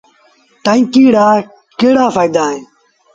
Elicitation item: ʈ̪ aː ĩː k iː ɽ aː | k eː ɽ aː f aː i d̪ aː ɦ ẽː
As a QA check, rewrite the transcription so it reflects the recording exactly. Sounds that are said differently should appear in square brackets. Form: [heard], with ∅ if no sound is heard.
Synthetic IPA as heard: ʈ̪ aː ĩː k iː ɽ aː | k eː ɽ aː f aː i d̪ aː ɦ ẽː